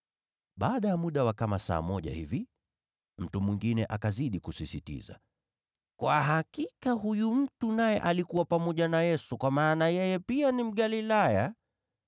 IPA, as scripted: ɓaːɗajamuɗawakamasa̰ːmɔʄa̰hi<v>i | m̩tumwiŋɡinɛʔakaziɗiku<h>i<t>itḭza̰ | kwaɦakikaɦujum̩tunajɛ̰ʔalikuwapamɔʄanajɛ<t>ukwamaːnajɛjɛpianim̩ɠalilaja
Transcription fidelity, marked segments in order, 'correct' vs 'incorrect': correct, incorrect: s, incorrect: s, incorrect: s

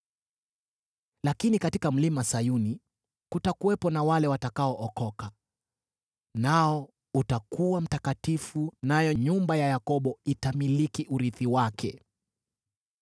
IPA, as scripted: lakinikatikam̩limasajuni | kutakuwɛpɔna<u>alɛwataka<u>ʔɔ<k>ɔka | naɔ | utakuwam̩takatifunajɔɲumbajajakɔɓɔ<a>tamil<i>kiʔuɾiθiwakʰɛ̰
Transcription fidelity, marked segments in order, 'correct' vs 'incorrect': incorrect: w, incorrect: ɔ, correct, incorrect: i, correct

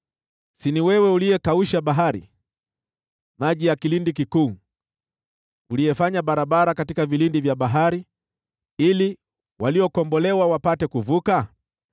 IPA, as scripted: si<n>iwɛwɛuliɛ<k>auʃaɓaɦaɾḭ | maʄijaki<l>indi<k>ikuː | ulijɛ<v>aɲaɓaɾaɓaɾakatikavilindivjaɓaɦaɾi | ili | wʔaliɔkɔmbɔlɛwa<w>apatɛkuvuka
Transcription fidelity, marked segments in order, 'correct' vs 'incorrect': correct, correct, correct, correct, incorrect: f, correct

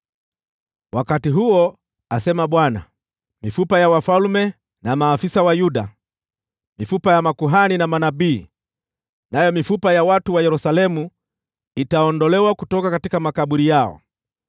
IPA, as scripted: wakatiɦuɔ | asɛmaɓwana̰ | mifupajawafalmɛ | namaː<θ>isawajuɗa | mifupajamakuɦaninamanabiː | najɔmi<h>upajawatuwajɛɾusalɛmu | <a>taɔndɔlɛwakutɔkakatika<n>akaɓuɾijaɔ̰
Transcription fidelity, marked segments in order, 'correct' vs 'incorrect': incorrect: f, incorrect: f, incorrect: i, incorrect: m

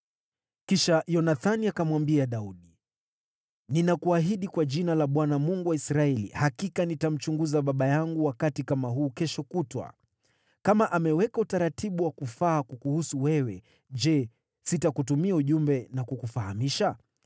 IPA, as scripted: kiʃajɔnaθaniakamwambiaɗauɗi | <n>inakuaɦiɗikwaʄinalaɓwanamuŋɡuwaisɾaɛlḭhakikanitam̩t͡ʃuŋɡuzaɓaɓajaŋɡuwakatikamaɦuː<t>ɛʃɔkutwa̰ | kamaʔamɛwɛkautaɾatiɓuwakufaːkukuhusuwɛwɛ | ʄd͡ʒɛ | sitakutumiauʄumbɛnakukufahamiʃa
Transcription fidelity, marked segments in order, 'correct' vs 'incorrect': correct, incorrect: k

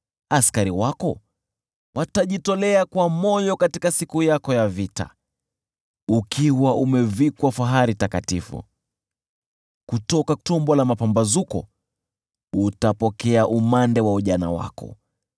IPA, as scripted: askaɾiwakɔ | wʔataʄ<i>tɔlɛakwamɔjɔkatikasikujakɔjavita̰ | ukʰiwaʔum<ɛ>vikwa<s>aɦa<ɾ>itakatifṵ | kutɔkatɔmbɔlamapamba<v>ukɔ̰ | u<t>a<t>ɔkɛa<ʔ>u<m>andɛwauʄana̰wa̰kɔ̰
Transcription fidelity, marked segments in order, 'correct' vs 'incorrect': correct, correct, incorrect: f, correct, incorrect: z, correct, incorrect: p, correct, correct

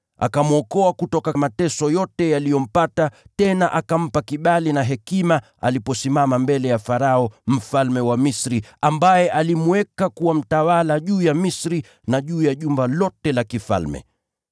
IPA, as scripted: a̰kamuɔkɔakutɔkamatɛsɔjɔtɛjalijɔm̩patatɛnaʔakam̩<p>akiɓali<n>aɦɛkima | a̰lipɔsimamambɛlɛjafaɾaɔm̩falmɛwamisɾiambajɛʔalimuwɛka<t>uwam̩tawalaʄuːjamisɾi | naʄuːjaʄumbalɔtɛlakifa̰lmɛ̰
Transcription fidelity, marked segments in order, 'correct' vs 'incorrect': correct, correct, incorrect: k

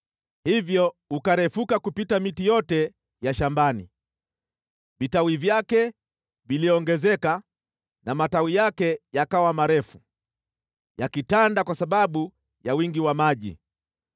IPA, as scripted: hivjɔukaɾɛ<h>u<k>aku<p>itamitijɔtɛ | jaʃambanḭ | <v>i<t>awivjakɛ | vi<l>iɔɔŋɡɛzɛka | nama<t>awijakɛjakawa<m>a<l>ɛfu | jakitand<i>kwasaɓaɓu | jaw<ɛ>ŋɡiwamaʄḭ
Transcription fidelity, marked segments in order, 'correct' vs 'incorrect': incorrect: f, correct, correct, correct, correct, correct, correct, correct, incorrect: ɾ, incorrect: a, incorrect: i

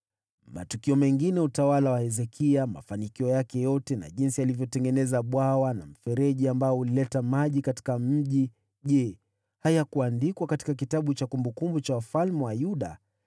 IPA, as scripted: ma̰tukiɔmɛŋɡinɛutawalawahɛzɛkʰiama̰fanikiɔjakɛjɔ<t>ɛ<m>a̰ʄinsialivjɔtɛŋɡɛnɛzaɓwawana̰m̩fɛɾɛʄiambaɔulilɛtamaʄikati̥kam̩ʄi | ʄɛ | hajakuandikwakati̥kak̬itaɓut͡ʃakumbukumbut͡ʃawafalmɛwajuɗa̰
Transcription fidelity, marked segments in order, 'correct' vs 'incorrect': correct, incorrect: n

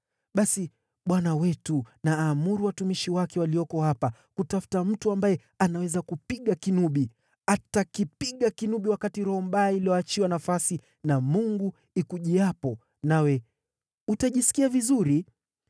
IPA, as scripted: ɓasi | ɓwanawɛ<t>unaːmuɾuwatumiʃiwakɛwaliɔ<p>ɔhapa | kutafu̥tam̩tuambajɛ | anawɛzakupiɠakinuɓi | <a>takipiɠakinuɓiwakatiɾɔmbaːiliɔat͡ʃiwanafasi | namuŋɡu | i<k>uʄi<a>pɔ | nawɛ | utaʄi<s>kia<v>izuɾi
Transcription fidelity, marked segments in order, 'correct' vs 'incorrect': correct, incorrect: k, correct, correct, correct, correct, correct

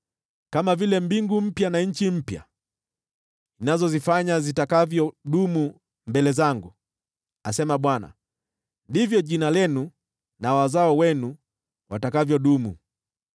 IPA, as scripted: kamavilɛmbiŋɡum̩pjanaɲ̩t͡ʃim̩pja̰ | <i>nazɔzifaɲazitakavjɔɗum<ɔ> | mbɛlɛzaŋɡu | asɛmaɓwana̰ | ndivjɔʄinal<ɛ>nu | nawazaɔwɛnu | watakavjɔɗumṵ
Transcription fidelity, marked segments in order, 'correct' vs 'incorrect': correct, incorrect: u, correct

